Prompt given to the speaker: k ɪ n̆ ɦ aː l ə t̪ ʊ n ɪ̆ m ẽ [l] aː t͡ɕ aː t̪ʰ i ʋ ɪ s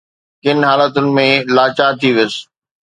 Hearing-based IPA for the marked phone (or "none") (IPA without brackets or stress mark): l